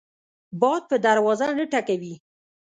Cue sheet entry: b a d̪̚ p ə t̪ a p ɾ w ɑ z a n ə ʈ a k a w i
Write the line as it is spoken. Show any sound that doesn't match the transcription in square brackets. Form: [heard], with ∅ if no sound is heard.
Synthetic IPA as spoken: b [ɑ] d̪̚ p ə [d̪] a [∅] ɾ w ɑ z a n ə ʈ a k a w i